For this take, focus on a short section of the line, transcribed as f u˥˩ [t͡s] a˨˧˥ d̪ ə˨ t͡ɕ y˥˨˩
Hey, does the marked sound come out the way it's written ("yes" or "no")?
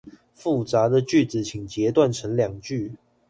yes